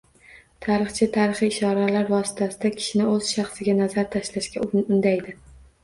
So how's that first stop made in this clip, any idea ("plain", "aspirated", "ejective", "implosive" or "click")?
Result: aspirated